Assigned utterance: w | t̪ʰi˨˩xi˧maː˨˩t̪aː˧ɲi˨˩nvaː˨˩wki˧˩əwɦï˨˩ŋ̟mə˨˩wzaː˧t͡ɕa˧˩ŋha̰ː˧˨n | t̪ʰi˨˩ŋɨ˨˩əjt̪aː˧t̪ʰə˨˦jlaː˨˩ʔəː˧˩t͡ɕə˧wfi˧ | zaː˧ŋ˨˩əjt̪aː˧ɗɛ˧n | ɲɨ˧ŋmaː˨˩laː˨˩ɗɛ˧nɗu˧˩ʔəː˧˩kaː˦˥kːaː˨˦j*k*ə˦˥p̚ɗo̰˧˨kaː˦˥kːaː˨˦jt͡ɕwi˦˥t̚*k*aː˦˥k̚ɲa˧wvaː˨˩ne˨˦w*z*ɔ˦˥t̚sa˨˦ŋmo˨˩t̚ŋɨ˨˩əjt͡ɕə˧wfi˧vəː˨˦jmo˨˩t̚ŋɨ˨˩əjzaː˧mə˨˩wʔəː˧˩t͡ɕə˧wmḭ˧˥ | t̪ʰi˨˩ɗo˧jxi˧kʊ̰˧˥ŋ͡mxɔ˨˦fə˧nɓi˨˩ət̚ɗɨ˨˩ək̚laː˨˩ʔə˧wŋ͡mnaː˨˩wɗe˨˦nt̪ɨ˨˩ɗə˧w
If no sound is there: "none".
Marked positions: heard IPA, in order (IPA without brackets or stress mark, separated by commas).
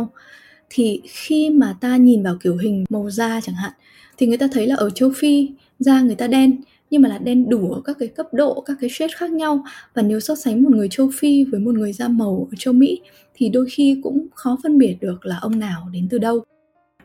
k, x, s